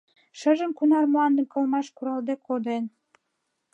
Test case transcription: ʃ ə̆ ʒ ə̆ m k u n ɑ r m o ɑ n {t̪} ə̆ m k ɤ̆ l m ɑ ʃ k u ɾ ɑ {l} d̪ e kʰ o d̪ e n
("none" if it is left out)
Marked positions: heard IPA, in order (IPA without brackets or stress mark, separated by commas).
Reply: d̪, l